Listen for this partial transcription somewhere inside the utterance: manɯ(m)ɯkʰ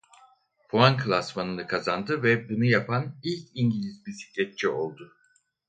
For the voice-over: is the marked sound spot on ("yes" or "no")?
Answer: no